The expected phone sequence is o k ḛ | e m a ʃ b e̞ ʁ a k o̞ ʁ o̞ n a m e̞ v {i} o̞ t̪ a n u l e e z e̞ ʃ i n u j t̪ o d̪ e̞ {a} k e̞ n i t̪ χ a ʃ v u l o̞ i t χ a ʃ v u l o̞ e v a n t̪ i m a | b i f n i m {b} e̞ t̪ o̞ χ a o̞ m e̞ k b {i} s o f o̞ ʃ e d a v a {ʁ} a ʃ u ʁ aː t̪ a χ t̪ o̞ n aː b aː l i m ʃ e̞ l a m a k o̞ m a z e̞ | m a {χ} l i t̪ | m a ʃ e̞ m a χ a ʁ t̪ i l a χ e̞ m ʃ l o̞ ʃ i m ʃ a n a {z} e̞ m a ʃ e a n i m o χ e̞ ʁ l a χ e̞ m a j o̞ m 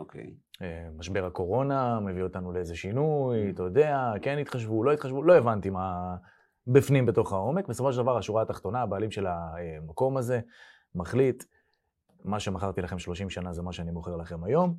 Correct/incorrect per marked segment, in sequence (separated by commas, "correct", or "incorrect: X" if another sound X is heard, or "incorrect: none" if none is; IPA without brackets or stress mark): correct, correct, correct, incorrect: e, correct, correct, correct